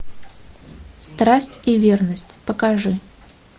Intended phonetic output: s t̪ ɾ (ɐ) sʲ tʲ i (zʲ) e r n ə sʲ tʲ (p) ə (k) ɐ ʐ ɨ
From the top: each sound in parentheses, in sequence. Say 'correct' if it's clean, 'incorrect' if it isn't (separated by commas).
incorrect, incorrect, correct, correct